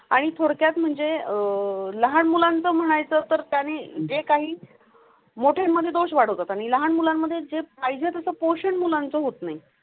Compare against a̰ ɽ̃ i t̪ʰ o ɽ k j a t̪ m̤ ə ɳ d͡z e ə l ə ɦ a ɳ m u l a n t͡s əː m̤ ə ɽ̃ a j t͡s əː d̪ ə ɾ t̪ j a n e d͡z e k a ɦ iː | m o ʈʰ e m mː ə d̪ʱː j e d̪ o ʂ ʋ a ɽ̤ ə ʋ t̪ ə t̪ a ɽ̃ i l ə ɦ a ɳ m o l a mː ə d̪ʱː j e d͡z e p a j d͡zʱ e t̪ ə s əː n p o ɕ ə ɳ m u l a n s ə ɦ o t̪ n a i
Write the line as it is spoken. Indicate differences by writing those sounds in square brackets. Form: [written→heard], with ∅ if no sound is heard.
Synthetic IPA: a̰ ɽ̃ i t̪ʰ o ɽ k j a t̪ m̤ ə ɳ d͡z e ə l ə ɦ a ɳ m u l a n t͡s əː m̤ ə ɽ̃ a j t͡s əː [d̪→t̪] ə ɾ t̪ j a n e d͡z e k a ɦ iː | m o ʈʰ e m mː ə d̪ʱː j e d̪ o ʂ ʋ a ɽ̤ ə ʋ t̪ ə t̪ a ɽ̃ i l ə ɦ a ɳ m [o→u] l a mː ə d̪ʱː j e d͡z e p a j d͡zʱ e t̪ ə s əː [n→∅] p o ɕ ə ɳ m u l a n [s→t͡s] ə ɦ o t̪ n a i